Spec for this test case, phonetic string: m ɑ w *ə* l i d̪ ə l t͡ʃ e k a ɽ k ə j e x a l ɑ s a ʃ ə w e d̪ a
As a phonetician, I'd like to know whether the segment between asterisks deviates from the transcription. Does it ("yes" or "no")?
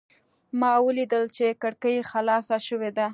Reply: no